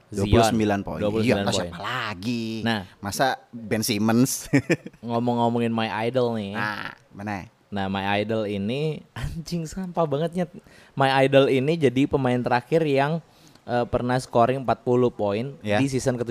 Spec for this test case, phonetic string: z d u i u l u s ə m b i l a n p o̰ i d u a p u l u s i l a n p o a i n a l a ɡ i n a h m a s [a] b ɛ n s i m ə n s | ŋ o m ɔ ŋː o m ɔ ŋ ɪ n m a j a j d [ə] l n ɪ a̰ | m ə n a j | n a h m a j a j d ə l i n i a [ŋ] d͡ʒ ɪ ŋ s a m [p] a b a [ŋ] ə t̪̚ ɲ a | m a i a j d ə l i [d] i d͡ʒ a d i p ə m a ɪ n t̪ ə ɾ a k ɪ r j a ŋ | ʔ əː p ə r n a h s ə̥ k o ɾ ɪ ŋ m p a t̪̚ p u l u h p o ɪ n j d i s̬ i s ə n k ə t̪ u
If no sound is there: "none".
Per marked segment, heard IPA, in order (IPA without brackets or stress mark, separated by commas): a, ə, ɲ, p, ŋ, n